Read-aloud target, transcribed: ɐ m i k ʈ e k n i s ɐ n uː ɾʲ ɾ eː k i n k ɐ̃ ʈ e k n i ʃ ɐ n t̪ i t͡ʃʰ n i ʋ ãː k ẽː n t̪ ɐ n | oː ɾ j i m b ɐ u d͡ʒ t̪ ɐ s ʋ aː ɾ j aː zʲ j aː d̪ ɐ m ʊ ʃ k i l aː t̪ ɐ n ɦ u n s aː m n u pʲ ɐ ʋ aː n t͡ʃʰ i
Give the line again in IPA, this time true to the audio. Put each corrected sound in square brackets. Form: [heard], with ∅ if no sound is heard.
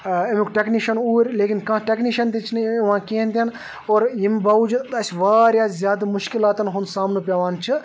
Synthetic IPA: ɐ m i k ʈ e k n i [ʃ] ɐ n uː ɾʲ [l] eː k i n k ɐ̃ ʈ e k n i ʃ ɐ n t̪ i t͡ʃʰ n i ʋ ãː k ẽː n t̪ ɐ n | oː ɾ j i m b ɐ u d͡ʒ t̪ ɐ s ʋ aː ɾ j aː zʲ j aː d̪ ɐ m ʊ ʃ k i l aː t̪ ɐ n ɦ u n s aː m n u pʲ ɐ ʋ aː n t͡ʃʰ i